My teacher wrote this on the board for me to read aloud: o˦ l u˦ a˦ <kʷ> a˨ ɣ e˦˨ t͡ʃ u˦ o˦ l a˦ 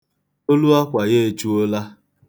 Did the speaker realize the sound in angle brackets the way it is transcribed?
yes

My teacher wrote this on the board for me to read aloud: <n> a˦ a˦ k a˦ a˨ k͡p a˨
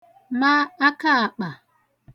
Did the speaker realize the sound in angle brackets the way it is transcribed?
no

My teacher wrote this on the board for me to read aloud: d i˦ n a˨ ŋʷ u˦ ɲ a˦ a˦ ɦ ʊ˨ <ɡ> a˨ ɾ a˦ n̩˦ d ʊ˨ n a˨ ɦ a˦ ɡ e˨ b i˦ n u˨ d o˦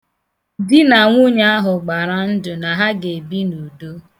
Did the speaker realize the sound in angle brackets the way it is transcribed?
no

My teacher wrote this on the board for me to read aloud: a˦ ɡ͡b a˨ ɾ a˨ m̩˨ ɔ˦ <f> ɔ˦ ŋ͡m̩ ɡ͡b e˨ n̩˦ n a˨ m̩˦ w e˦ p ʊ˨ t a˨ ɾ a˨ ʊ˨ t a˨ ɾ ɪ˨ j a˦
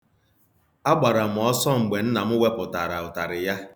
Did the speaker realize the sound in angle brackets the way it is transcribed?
no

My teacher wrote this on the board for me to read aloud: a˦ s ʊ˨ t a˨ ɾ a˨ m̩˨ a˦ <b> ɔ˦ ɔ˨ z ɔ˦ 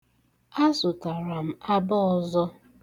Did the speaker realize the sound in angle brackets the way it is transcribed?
yes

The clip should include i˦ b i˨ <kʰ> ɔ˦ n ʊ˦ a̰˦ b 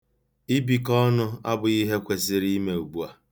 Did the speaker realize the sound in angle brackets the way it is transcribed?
no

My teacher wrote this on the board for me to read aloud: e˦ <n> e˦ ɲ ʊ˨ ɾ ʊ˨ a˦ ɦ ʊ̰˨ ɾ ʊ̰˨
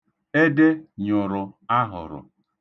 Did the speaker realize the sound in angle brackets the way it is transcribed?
no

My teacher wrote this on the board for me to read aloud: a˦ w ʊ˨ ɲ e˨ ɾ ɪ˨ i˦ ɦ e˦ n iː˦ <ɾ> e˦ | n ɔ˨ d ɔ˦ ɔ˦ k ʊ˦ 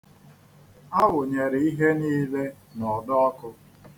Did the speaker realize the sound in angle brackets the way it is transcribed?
no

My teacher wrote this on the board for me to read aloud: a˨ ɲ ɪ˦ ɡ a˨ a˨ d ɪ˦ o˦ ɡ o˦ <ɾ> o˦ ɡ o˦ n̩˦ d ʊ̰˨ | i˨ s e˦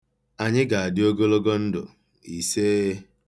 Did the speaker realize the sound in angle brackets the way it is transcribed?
no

